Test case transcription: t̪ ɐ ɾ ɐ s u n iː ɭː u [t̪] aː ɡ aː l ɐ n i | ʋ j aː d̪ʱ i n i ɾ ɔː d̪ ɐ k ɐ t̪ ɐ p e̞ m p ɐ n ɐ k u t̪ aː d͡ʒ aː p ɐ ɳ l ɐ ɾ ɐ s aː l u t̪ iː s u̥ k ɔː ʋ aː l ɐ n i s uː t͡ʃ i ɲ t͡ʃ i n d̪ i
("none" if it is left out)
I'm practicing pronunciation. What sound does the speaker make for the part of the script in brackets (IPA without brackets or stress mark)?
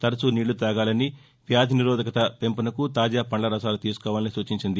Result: t̪